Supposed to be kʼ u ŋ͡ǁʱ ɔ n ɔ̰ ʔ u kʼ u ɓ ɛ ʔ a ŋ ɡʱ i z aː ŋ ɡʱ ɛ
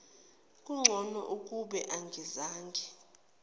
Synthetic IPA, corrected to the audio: kʼ u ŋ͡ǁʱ ɔ n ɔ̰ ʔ u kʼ u ɓ ɛ ʔ a ŋ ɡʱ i z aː ŋ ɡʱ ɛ